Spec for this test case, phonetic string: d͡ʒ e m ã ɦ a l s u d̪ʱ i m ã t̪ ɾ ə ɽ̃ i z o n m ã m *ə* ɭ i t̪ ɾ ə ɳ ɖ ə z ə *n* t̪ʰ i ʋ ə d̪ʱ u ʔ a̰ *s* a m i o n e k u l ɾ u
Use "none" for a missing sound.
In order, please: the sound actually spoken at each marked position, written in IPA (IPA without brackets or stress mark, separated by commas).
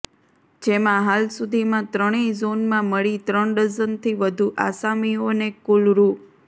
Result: ə, n, s